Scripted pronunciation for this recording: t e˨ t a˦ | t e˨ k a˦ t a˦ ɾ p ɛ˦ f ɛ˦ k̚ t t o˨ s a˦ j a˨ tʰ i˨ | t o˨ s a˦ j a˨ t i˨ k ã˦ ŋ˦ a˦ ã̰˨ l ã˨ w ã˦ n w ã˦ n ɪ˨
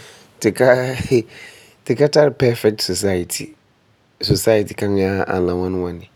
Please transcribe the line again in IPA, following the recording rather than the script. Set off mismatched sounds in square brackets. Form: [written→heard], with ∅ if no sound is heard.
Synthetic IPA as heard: t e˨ [t→k] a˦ | t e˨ k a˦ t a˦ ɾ p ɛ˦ f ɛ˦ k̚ t [t→s] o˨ s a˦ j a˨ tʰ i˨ | [t→s] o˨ s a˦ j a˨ t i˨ k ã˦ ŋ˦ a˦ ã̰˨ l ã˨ w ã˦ n w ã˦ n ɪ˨